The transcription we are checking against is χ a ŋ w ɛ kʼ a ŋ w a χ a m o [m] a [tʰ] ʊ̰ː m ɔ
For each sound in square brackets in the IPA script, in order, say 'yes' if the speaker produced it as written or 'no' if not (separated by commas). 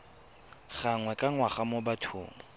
no, yes